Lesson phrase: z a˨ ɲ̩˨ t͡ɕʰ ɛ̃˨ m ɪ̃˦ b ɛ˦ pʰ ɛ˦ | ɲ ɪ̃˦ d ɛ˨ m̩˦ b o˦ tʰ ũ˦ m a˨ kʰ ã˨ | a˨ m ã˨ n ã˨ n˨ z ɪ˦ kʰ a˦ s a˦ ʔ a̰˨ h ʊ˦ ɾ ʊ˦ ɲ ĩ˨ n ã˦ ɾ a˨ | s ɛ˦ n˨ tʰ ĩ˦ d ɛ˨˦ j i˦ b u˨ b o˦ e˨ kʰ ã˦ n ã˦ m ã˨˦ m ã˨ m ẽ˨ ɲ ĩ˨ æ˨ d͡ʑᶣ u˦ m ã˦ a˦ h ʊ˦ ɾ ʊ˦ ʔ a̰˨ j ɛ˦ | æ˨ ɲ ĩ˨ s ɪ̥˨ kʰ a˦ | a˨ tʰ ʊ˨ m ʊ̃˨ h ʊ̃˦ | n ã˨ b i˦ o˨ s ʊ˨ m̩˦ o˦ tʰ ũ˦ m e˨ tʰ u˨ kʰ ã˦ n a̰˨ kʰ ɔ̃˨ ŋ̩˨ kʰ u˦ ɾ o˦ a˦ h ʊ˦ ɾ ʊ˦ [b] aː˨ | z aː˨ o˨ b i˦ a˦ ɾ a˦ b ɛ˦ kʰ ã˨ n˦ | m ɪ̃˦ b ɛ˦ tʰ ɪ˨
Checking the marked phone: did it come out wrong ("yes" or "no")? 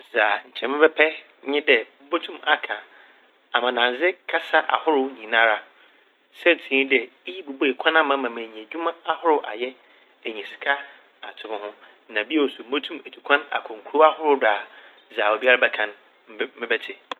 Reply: yes